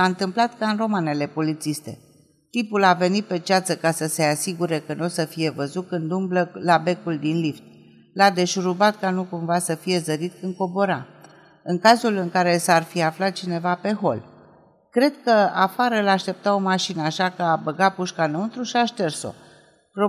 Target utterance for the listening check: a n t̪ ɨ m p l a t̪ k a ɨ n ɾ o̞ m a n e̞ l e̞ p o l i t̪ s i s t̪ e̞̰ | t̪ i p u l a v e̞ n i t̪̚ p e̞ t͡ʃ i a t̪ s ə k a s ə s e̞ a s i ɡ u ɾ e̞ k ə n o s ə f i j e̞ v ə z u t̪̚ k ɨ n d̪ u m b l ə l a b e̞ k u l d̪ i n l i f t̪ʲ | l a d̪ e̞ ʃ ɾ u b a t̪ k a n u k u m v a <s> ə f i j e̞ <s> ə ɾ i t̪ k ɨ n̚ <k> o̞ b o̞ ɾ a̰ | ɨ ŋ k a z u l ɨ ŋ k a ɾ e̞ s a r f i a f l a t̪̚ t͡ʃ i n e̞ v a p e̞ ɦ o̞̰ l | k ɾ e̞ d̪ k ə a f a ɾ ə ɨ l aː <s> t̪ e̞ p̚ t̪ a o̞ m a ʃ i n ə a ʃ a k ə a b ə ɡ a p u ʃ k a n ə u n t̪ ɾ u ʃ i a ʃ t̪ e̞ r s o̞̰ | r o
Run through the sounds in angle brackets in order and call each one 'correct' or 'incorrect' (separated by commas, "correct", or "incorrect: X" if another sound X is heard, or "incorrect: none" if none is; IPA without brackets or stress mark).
correct, incorrect: z, correct, incorrect: ʃ